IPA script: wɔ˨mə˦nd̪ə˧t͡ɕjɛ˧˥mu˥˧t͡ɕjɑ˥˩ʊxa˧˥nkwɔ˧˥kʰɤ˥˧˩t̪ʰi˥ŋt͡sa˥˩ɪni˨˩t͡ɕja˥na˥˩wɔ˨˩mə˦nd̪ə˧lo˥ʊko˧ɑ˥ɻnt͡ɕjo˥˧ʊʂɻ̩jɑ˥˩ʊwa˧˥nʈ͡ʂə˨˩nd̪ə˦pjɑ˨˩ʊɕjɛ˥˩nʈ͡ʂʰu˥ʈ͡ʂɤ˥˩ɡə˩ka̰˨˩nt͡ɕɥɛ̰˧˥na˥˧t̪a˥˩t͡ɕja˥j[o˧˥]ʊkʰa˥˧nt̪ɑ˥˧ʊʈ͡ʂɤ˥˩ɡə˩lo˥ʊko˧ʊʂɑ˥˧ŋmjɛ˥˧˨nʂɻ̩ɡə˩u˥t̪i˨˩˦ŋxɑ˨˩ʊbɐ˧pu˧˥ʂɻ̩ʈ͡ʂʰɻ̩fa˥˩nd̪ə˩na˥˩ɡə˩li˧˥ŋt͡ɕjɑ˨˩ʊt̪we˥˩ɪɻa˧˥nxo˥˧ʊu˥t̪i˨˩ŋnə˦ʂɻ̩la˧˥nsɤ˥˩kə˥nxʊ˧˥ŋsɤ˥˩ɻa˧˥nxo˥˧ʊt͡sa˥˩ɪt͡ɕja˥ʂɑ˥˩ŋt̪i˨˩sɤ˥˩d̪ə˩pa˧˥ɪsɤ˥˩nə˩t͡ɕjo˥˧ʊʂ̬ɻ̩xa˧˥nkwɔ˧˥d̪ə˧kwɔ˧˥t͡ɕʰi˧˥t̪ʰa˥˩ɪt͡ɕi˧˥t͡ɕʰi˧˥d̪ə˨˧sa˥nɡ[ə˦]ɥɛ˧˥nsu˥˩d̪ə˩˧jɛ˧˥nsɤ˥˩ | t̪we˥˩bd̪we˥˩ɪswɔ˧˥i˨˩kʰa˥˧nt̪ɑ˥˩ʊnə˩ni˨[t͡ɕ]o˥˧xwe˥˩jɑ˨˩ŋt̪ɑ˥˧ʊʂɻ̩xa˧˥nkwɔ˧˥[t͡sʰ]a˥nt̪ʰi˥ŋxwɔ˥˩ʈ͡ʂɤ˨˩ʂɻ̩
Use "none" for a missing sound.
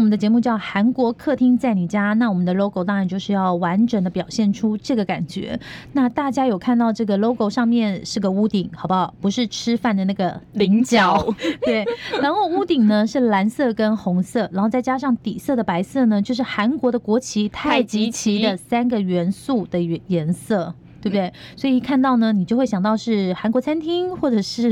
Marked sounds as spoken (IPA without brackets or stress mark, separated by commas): o˨˩, ə˨, t͡ɕ, t͡sʰ